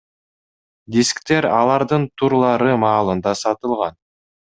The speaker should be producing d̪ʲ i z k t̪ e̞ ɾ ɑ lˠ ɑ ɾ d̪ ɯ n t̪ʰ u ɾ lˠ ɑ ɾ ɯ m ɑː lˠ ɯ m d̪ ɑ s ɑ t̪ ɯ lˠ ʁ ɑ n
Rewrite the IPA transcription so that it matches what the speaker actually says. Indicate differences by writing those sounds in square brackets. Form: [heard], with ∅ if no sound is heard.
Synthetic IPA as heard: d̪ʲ i [s] k t̪ e̞ ɾ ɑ lˠ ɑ ɾ d̪ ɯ n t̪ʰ u ɾ lˠ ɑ ɾ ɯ m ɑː lˠ ɯ [n] d̪ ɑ s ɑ t̪ ɯ lˠ ʁ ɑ n